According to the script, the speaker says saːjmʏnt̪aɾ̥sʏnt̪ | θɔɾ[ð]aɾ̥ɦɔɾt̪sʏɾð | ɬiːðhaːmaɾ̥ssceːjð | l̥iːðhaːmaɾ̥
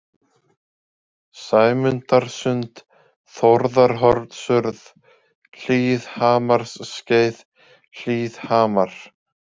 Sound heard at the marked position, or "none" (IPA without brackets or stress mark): ð